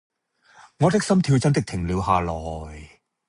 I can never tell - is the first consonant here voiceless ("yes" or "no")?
no